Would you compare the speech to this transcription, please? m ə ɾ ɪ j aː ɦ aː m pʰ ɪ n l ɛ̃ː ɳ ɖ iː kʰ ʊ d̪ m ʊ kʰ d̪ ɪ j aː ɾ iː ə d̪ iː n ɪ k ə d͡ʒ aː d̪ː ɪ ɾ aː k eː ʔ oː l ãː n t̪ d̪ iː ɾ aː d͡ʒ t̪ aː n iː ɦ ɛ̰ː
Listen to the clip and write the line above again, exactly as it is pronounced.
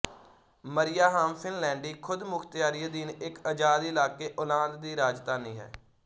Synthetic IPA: m ə ɾ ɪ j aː ɦ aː m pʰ ɪ n l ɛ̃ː ɳ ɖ iː kʰ ʊ d̪ m ʊ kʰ t̪ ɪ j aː ɾ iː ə d̪ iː n ɪ k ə d͡ʒ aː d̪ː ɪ l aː k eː ʔ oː l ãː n d̪ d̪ iː ɾ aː d͡ʒ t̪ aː n iː ɦ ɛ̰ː